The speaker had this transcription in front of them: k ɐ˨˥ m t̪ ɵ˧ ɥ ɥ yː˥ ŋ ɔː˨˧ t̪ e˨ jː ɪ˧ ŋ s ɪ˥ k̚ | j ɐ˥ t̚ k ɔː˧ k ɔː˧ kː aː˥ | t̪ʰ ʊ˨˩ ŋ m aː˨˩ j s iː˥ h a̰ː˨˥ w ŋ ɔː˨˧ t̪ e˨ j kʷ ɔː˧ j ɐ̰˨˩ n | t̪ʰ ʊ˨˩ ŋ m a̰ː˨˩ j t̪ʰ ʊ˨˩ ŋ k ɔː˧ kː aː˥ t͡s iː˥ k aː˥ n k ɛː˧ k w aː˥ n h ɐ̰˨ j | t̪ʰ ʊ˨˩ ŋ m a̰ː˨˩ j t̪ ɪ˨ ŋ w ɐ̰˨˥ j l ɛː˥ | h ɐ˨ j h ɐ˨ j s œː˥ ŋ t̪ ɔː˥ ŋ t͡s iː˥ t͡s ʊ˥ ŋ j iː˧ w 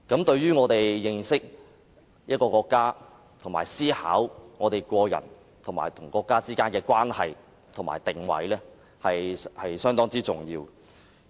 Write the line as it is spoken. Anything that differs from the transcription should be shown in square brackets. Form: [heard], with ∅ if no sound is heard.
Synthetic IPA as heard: k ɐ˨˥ m t̪ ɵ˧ ɥ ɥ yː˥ ŋ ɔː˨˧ t̪ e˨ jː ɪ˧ ŋ s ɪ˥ k̚ | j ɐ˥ t̚ k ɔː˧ k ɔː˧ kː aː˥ | t̪ʰ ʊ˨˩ ŋ m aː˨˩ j s iː˥ h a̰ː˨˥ w ŋ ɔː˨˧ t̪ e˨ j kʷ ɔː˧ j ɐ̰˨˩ n | t̪ʰ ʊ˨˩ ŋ m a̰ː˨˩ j t̪ʰ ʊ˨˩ ŋ k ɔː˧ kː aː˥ t͡s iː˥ k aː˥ n k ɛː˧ k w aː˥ n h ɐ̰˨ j | t̪ʰ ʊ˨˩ ŋ m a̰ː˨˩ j t̪ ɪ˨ ŋ w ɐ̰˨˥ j l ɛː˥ | h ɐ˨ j h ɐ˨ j s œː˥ ŋ t̪ ɔː˥ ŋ t͡s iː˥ t͡s [ʊ˨] ŋ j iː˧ w